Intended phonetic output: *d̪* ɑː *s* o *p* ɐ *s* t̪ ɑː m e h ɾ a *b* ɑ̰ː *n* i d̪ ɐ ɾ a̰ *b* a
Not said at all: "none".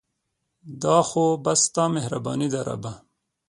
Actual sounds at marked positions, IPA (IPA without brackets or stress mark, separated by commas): d̪, x, b, s, b, n, b